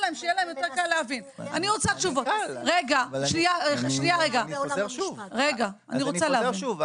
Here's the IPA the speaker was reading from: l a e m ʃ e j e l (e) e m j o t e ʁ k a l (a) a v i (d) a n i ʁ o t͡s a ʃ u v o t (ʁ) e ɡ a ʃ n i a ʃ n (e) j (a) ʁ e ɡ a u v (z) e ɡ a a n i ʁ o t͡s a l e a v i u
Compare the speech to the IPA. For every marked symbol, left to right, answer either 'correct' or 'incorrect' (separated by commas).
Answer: incorrect, incorrect, incorrect, correct, incorrect, correct, incorrect